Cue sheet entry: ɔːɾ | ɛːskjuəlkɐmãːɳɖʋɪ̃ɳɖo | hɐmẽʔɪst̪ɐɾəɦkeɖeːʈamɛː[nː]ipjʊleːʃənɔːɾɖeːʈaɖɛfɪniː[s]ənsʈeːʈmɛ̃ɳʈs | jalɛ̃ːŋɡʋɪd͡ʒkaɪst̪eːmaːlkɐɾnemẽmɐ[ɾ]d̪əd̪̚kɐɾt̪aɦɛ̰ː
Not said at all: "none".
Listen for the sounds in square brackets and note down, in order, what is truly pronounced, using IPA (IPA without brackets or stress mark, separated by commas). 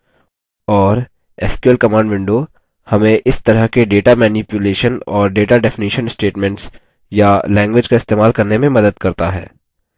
n, ʃ, none